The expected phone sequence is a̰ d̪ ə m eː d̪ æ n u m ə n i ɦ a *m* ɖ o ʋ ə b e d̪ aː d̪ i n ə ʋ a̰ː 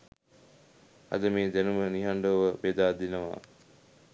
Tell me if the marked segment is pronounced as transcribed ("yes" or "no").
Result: no